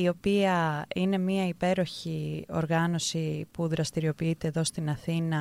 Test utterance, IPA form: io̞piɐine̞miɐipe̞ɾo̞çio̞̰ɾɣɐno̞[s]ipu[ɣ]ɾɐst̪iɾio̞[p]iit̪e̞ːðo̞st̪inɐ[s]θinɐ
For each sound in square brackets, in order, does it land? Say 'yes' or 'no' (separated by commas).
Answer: yes, no, yes, no